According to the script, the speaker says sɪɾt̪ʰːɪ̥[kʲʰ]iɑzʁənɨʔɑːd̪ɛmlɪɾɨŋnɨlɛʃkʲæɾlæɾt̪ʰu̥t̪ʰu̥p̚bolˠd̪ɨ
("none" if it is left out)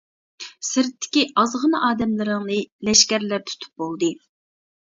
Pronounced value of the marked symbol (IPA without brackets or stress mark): kʲ